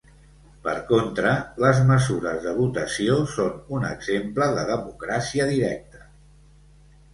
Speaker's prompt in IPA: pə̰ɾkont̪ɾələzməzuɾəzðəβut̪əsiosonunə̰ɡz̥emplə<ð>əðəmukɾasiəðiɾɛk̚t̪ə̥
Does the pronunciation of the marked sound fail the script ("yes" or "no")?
no